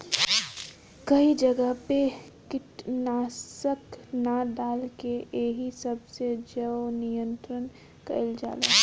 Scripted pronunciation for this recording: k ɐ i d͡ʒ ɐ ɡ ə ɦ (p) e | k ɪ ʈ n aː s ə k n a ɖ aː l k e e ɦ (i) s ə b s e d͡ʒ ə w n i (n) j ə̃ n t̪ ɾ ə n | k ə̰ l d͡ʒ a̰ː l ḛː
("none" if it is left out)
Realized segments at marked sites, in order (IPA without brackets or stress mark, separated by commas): p, i, none